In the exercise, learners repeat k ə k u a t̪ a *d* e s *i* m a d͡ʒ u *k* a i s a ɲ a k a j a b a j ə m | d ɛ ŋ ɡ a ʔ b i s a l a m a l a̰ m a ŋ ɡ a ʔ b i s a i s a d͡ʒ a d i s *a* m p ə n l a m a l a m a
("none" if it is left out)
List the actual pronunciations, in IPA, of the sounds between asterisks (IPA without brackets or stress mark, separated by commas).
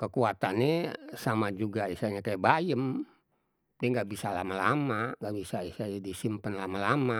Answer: n, a, ɡ, i